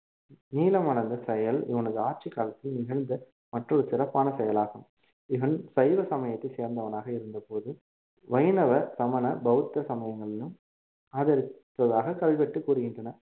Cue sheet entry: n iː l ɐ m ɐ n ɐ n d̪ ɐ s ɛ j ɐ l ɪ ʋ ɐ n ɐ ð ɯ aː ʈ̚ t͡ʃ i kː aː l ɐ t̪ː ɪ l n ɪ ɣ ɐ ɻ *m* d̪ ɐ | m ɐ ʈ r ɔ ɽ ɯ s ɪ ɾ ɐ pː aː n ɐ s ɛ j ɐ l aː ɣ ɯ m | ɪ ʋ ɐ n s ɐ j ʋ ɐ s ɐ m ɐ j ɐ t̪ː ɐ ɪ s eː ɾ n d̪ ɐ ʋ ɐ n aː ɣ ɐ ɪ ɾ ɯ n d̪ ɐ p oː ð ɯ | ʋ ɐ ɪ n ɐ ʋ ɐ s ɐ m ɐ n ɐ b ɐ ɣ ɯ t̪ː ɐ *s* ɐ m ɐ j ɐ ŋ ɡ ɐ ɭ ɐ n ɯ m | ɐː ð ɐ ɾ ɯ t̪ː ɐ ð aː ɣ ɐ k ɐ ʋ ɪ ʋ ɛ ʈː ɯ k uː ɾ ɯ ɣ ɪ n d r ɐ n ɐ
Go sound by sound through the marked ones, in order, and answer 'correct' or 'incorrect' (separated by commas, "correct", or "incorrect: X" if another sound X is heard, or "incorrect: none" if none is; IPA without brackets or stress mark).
incorrect: n, correct